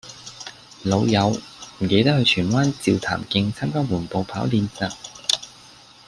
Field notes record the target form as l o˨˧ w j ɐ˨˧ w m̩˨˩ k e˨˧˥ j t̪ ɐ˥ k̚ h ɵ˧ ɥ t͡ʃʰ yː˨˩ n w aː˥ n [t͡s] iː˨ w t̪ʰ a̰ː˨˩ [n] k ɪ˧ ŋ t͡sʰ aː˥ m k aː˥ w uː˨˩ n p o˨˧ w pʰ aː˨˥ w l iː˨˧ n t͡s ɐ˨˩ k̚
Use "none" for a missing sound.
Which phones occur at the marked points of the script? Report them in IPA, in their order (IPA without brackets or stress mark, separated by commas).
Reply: t͡s, m